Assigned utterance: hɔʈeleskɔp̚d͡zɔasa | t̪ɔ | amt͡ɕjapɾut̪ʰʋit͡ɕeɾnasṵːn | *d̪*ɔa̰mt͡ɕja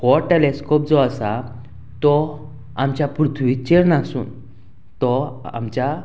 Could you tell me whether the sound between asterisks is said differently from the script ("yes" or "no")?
yes